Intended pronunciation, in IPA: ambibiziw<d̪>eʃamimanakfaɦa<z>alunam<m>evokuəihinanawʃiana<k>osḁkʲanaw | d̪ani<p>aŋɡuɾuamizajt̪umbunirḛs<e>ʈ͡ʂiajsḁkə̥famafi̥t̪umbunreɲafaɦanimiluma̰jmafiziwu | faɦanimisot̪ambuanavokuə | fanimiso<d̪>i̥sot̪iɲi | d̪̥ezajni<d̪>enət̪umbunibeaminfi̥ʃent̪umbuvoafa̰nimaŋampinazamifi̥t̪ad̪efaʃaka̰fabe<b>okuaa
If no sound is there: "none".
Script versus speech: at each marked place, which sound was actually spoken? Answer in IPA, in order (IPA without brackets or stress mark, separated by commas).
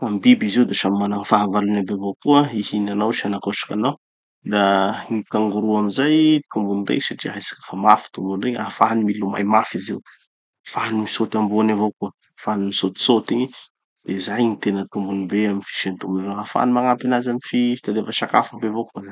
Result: d̪, v, b, k, k, a, t̪, t̪, v